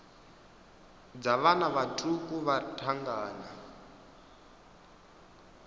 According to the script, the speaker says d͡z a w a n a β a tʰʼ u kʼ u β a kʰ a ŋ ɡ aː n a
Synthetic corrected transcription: d͡z a β a n a β a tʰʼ u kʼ u β a tʰ a ŋ ɡ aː n a